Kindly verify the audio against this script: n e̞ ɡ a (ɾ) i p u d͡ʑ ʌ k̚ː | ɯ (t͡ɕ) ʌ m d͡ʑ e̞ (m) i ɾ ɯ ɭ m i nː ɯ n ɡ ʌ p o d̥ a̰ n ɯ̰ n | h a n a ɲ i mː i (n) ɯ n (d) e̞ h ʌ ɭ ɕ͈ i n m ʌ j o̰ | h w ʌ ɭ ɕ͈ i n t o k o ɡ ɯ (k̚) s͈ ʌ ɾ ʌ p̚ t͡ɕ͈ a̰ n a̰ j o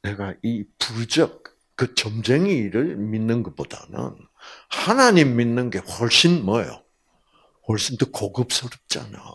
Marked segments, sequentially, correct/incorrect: incorrect, correct, incorrect, incorrect, incorrect, incorrect

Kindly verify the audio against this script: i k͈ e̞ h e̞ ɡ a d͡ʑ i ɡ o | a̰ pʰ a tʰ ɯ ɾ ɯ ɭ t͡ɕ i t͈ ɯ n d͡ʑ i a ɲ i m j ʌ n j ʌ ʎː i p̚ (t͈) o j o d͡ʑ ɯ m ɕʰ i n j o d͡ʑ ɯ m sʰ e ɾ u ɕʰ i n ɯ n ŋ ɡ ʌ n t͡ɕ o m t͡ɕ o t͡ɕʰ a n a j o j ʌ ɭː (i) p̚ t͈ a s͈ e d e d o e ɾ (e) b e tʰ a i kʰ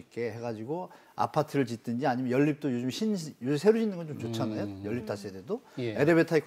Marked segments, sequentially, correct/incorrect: correct, correct, correct

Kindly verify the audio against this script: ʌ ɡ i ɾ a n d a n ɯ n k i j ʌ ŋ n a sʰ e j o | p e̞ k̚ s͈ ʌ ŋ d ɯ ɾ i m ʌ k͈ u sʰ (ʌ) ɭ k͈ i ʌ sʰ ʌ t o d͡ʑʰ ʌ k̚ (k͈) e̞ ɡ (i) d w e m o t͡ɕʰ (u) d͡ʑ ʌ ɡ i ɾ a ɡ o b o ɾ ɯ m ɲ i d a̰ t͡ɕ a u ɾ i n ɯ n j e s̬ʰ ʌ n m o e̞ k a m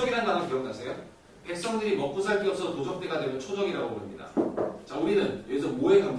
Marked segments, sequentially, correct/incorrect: incorrect, incorrect, incorrect, incorrect

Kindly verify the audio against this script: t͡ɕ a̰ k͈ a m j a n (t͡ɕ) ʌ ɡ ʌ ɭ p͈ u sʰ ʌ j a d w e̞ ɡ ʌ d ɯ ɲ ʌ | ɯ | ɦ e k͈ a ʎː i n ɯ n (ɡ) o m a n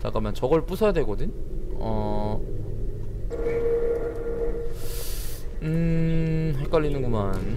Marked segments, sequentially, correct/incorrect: correct, correct

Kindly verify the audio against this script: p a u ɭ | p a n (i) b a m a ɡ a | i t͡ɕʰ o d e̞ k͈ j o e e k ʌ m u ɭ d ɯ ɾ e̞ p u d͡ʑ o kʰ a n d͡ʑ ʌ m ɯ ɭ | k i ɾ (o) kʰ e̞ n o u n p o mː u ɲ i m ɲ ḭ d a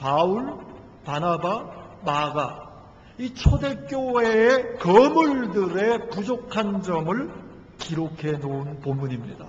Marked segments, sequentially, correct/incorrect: incorrect, correct

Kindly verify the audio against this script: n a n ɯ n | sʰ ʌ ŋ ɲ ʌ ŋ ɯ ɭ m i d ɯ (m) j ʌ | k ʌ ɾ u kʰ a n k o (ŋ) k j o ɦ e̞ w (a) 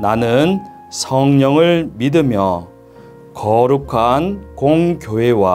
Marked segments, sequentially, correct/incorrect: correct, correct, correct

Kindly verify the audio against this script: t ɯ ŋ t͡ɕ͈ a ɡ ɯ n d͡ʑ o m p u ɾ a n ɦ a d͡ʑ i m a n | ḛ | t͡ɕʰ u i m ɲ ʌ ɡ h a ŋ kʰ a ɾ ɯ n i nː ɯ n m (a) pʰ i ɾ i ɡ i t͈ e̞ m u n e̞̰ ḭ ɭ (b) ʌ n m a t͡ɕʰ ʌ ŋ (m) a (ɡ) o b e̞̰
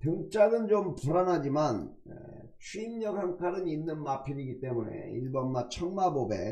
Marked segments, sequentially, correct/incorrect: correct, correct, correct, incorrect

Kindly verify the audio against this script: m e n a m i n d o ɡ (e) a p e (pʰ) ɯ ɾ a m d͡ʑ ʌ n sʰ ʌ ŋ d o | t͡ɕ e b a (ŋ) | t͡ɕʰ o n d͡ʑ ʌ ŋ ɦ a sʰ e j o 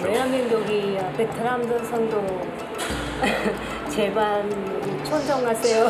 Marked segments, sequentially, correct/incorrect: incorrect, incorrect, incorrect

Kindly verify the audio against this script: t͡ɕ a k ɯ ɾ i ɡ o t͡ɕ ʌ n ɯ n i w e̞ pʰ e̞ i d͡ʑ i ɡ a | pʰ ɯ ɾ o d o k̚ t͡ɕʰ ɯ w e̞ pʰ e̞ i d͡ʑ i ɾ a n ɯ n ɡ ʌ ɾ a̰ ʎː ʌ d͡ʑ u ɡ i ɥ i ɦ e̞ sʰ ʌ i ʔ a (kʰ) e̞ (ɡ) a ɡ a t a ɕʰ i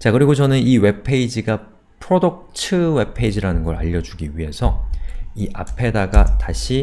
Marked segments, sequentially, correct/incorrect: incorrect, incorrect

